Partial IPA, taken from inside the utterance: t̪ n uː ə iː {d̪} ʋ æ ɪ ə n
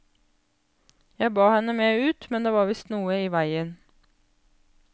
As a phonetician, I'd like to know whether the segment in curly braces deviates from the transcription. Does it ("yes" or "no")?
yes